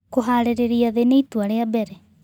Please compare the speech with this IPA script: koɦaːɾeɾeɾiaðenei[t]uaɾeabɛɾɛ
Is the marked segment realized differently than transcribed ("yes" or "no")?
no